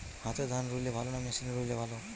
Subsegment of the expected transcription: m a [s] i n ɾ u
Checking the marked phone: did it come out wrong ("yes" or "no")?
no